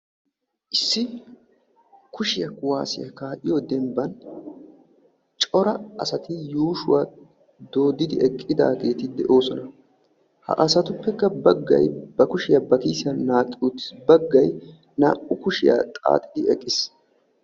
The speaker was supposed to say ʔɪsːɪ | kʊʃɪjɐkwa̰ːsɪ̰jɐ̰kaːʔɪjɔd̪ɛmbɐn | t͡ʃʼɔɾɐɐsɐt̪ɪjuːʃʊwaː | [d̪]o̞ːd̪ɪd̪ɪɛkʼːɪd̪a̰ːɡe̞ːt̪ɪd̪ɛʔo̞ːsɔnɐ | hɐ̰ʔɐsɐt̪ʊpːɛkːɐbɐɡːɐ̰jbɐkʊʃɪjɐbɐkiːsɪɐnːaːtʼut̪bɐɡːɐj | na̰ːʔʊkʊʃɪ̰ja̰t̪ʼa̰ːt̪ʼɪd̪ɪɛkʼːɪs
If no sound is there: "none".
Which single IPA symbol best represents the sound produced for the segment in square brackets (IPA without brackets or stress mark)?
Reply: d̪